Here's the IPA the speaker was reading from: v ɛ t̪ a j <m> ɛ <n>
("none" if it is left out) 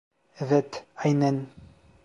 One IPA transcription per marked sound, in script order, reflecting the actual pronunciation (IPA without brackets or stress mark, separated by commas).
n, n